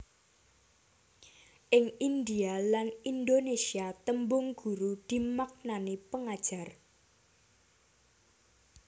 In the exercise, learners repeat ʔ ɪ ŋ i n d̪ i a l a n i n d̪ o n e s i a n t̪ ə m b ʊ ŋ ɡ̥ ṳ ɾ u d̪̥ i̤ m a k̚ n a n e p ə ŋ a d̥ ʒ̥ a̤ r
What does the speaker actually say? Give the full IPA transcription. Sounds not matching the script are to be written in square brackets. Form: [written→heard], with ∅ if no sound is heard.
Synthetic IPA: ʔ ɪ ŋ i n d̪ i a l a n i n d̪ o n e s i a [n→∅] t̪ ə m b ʊ ŋ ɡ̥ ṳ ɾ u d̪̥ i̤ m a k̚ n a n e p ə ŋ a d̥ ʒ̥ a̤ r